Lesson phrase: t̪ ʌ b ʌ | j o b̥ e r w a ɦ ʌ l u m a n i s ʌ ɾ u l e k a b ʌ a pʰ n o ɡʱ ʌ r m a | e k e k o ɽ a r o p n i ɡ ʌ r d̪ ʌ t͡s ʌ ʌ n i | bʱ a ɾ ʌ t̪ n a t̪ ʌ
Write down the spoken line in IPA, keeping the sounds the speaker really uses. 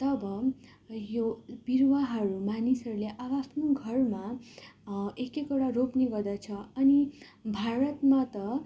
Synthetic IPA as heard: t̪ ʌ b ʌ | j o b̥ i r w a ɦ ʌ ɾ u m a n i s ʌ ɾ u l e ʔ a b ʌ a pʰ n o ɡʱ ʌ r m a | e k e k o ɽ a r o p n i ɡ ʌ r d̪ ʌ t͡sʰ ʌ ʌ n i | bʱ a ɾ ʌ t̪ m a t̪ ʌ

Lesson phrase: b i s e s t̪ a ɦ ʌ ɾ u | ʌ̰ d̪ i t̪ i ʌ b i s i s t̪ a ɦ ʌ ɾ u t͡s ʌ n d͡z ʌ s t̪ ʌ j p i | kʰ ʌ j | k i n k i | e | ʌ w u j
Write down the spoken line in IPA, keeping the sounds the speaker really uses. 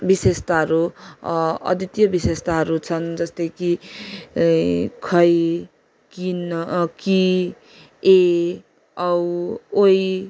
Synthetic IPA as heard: b i s e s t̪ a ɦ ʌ ɾ u | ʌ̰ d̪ i t̪ j ʌ b i s e s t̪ a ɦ ʌ ɾ u t͡sʰ ʌ n d͡z ʌ s t̪ ʌ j k i | kʰ ʌ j | k i n k i | e | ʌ w o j

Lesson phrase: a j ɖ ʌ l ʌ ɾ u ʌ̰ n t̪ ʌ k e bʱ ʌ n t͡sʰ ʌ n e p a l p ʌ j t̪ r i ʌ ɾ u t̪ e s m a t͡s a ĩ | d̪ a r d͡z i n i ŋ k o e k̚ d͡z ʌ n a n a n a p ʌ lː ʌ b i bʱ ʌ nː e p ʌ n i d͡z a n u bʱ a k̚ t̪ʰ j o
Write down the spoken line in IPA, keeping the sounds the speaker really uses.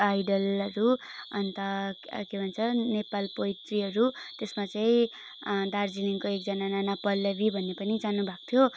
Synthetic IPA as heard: a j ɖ ʌ l ʌ ɾ u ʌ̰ n t̪ ʌ k e bʱ ʌ n t͡sʰ ʌ n e p a l p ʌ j t̪ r i ʌ ɾ u t̪ e s m a t͡s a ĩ | d̪ a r d͡z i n i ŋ k o e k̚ d͡z ʌ n a n a n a p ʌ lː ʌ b i bʱ ʌ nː e p ʌ n i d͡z a n u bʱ a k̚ t̪ʰ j o

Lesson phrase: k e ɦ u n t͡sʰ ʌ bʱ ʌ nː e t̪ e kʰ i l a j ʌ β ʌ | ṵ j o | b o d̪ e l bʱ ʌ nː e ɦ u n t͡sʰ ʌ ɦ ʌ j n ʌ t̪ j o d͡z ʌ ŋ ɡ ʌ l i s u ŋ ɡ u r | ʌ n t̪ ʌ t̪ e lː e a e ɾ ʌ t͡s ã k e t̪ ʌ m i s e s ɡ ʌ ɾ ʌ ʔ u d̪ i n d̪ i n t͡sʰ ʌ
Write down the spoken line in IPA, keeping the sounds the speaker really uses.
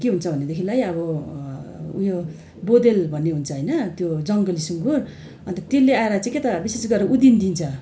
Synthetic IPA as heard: k e ɦ u n t͡sʰ ʌ bʱ ʌ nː e d̪ e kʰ i l a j ʌ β ʌ | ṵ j o | b o d̪ e l bʱ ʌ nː e ɦ u n t͡sʰ ʌ ɦ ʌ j n ʌ t̪ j o d͡z ʌ ŋ ɡ ʌ l i s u ŋ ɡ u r | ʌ n t̪ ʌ t̪ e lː e a e ɾ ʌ t͡s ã k e t̪ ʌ b i s e s ɡ ʌ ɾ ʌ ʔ u d̪ i n d̪ i n t͡sʰ ʌ

